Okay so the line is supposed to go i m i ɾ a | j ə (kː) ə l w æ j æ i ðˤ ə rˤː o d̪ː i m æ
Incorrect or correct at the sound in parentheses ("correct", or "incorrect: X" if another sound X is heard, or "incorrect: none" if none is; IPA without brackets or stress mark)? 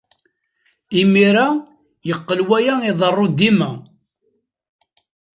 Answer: incorrect: qː